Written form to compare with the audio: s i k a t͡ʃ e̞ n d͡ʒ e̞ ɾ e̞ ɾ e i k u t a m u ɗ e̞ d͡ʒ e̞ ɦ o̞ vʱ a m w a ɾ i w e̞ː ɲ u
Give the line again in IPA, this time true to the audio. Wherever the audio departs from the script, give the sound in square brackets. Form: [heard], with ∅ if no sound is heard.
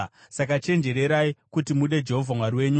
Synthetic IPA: s [a] k a t͡ʃ e̞ n d͡ʒ e̞ ɾ e̞ ɾ [a] i k u t [i] m u ɗ e̞ d͡ʒ e̞ ɦ o̞ vʱ a m w a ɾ i w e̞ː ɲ u